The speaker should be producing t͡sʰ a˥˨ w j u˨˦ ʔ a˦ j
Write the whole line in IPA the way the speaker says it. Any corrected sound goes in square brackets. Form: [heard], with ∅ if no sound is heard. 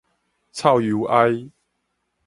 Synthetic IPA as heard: t͡sʰ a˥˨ w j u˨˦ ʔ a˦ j

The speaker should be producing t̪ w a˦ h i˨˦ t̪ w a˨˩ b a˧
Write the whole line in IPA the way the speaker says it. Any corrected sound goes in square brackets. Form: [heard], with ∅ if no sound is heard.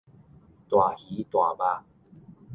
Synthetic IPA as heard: t̪ w [a˨˩] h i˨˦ t̪ w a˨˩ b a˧

